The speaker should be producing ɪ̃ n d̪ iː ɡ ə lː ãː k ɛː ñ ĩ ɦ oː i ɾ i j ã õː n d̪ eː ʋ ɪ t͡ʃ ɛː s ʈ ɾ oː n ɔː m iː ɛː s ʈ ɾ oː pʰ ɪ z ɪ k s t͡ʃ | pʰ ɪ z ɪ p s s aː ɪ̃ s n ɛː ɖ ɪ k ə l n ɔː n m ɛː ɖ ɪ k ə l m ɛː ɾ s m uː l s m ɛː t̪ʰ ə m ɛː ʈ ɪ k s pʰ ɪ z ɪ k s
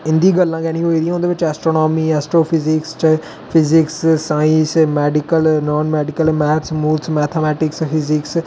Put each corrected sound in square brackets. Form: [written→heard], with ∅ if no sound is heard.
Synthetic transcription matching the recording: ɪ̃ n d̪ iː ɡ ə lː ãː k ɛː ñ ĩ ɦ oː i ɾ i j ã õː n d̪ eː ʋ ɪ t͡ʃ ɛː s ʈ ɾ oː n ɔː m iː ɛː s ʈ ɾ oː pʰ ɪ z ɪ k s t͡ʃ | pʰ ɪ z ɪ [p→k] s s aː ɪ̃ s [n→m] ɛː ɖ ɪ k ə l n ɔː n m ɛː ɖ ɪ k ə l m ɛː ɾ s m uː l s m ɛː t̪ʰ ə m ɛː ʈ ɪ k s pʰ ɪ z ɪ k s